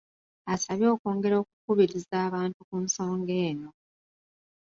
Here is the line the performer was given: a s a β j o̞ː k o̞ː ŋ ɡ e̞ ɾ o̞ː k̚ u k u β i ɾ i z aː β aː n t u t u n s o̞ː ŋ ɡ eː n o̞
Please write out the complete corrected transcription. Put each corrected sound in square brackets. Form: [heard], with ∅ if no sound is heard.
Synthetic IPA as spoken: a s a β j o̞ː k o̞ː ŋ ɡ e̞ ɾ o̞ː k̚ u k u β i ɾ i z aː β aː n t u [k] u n s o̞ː ŋ ɡ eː n o̞

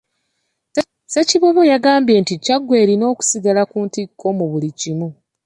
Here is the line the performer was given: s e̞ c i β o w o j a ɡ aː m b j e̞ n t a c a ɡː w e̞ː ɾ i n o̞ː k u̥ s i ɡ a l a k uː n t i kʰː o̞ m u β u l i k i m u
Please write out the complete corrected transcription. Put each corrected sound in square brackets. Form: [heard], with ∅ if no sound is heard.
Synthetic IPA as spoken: s e̞ c i β o [β] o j a ɡ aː m b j e̞ n t [i] c a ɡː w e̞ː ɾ i n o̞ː k u̥ s i ɡ a l a k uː n t i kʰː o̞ m u β u l i [c] i m u

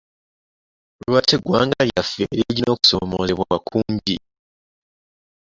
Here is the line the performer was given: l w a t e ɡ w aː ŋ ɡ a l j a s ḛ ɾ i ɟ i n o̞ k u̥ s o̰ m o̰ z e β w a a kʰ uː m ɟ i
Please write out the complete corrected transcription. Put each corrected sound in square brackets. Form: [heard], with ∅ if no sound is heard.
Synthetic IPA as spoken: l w a t e ɡ w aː ŋ ɡ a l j a [f] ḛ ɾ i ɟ i n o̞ k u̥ s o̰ m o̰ z e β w a a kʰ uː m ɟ i

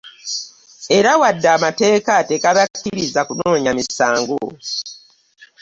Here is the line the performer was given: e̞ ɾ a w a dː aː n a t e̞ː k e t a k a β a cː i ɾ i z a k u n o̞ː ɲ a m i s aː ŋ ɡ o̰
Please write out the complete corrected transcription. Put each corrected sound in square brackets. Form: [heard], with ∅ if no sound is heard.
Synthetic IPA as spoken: e̞ ɾ a w a dː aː [m] a t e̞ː k [a] t [e] k a β a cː i ɾ i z a k u n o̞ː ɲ a m i s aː ŋ ɡ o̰

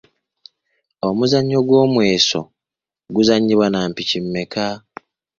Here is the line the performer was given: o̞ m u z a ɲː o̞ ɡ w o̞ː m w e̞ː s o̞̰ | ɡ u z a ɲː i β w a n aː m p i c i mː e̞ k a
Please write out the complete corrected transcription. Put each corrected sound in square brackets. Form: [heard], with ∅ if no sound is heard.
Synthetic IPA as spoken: o̞ m u z a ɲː o̞ ɡ w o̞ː m w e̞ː s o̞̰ | ɡ u z a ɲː i β w a n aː m p i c i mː e̞ k a

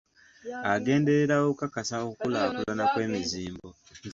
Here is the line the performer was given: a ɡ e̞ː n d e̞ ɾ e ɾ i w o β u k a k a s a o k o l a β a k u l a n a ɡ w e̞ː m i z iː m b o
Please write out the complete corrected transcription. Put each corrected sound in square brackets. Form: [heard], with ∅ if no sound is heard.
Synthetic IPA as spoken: a ɡ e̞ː n d e̞ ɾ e ɾ [a] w o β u k a k a s a o k [u] l a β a k u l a n a [k] w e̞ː m i z iː m b o

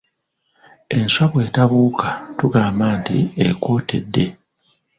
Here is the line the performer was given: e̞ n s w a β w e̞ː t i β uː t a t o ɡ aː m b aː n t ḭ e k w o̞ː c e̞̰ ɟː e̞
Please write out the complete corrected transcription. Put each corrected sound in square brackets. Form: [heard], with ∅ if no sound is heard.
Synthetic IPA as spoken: e̞ n s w a β w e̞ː t [a] β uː [k] a t [u] ɡ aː m b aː n t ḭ e k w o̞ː [t] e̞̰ [dː] e̞

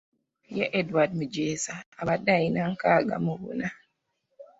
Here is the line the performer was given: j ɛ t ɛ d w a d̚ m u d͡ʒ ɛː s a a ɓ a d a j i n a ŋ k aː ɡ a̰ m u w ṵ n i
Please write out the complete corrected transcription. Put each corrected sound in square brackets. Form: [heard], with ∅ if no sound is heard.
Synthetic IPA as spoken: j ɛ [ʔ] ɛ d w a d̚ m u d͡ʒ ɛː s a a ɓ a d a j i n a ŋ k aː ɡ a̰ m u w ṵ n [a]

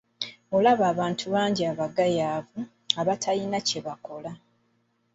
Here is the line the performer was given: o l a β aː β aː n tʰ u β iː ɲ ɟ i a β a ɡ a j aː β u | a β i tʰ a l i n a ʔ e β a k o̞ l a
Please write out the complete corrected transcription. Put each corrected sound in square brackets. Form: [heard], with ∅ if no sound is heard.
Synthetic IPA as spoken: o l a β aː β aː n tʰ u β [aː] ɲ ɟ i a β a ɡ a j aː [v] u | a β [a] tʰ a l i n a [c] e β a k o̞ l a

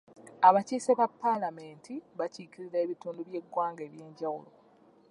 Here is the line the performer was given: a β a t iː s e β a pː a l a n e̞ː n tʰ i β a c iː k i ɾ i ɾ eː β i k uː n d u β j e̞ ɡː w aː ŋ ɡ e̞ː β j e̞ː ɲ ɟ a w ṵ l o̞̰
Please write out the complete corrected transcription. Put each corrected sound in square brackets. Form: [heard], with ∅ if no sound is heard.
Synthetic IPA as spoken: a β a [c] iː s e β a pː a l a [m] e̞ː n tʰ i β a c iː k i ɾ i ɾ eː β i [t] uː n d u β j e̞ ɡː w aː ŋ ɡ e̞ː β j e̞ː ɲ ɟ a w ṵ l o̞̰

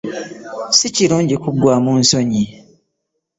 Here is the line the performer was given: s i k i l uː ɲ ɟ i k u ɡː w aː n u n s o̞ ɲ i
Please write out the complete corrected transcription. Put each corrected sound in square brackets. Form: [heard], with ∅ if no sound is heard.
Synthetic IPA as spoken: s i [c] i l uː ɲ ɟ i k u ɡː w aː [m] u n s o̞ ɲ i

